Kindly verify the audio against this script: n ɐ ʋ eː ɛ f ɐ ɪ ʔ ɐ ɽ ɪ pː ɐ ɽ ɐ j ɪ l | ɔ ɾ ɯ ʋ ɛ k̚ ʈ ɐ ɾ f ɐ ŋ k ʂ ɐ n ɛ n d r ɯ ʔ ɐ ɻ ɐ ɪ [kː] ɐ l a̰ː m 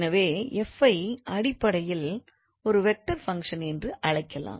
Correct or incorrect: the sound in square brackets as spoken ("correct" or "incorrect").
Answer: correct